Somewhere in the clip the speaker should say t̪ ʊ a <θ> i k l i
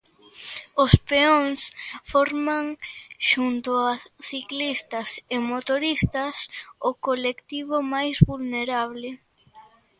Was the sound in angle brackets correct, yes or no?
yes